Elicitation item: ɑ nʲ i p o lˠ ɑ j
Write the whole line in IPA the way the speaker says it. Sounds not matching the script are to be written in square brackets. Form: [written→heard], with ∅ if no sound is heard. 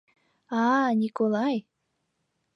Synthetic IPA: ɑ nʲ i [p→k] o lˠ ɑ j